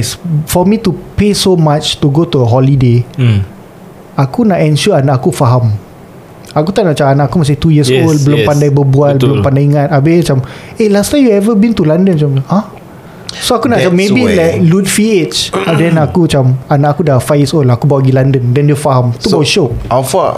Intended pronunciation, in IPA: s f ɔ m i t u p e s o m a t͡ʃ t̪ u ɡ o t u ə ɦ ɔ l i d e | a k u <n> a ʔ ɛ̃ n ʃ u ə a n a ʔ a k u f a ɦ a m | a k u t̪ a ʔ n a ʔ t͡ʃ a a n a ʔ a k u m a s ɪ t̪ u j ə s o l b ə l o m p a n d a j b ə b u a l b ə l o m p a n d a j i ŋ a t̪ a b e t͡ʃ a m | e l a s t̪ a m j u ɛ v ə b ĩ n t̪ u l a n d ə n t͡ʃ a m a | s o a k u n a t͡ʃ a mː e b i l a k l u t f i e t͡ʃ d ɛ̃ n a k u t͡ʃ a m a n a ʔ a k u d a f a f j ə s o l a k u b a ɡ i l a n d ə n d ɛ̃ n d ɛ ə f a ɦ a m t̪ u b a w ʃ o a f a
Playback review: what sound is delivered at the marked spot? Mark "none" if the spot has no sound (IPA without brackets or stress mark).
n